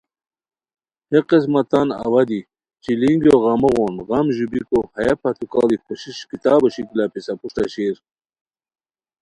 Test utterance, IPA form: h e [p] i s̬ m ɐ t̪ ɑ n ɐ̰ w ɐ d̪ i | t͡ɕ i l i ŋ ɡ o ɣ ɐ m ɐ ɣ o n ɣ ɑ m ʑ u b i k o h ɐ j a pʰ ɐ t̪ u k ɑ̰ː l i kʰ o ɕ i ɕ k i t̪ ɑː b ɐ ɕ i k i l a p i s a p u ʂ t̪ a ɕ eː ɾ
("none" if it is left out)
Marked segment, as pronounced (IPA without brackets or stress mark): q